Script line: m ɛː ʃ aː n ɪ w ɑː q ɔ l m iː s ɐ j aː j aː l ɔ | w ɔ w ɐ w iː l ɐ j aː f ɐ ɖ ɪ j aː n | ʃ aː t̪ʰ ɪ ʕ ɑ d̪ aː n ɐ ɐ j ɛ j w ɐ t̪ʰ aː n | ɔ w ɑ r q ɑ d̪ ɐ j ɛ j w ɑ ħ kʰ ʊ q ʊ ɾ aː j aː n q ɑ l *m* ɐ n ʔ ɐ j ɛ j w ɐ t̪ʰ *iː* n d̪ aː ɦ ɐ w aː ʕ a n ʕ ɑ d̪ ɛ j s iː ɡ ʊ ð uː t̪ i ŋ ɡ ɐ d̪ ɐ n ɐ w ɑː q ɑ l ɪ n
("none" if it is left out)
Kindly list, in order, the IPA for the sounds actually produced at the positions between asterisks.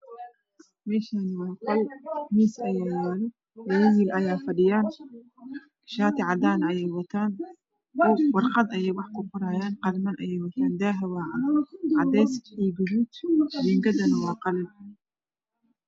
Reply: m, aː

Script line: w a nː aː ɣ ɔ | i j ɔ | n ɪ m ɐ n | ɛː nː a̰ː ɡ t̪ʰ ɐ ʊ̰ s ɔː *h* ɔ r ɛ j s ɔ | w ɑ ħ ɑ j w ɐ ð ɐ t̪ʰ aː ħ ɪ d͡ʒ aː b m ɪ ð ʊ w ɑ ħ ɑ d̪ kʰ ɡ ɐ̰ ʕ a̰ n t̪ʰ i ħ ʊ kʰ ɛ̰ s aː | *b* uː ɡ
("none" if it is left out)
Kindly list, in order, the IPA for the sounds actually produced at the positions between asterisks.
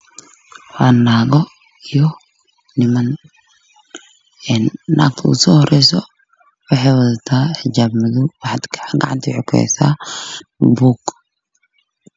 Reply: h, b

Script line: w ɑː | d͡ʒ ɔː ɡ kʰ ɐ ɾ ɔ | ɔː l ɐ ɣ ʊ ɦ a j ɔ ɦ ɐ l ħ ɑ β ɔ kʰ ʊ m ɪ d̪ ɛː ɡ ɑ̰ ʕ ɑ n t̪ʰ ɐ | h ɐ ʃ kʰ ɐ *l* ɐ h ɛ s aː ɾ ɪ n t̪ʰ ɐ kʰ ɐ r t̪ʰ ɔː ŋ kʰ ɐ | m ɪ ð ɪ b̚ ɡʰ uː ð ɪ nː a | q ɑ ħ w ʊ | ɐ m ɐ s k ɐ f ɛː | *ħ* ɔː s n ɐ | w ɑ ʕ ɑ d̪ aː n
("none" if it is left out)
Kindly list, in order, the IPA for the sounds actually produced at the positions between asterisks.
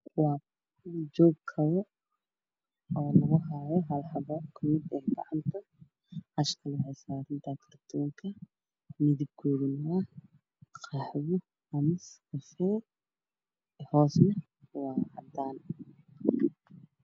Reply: l, h

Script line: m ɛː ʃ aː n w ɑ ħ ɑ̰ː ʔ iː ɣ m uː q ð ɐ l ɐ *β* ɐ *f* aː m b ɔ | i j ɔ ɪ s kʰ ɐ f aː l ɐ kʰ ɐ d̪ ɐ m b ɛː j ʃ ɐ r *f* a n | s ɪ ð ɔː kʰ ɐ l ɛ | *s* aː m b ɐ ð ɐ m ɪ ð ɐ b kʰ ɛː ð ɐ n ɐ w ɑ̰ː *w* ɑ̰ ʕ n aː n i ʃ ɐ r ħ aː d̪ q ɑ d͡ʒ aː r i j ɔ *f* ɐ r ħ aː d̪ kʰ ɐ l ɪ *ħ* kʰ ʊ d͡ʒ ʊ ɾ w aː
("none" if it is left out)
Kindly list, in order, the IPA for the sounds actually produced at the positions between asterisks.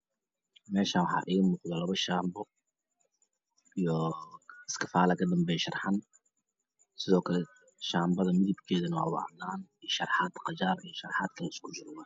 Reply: β, ʃ, ħ, ʃ, w, ʃ, s

